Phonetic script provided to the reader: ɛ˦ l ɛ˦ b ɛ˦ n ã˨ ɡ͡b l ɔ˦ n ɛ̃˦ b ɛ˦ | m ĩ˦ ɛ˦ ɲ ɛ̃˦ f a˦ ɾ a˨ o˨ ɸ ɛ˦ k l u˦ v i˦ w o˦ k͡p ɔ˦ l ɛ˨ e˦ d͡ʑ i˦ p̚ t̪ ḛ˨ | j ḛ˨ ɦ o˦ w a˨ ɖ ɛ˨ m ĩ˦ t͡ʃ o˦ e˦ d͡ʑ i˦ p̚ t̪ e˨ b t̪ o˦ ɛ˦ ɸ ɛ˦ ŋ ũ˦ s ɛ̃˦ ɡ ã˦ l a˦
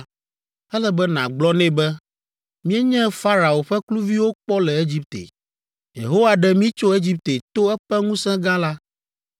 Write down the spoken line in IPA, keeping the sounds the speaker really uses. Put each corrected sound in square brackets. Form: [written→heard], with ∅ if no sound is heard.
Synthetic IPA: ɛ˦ l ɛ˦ b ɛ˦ n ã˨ ɡ͡b l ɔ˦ n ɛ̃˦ b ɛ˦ | m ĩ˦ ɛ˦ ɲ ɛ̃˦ f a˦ ɾ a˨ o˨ ɸ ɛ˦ k l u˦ v i˦ w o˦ k͡p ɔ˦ l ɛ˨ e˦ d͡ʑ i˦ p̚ t̪ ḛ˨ | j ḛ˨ ɦ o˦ w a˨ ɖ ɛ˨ m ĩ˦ t͡ʃ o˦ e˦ d͡ʑ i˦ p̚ t̪ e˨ [b→∅] t̪ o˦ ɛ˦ ɸ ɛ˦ ŋ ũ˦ s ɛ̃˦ ɡ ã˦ l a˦